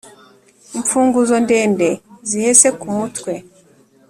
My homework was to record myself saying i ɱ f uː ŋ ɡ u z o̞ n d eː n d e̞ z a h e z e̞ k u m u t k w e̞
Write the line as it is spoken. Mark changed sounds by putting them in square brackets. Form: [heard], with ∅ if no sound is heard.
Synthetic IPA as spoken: i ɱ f uː ŋ ɡ u z o̞ n d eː n d e̞ z [i] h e [s] e̞ k u m u t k w e̞